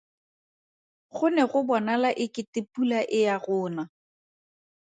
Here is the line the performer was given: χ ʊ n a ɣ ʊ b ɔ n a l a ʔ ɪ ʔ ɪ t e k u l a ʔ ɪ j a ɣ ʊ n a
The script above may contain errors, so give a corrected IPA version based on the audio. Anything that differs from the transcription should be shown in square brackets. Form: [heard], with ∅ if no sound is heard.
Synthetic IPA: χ ʊ n [ɛ] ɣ ʊ b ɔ n a l a ʔ ɪ [k] ɪ t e [p] u l a ʔ ɪ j a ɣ [ʊː] n a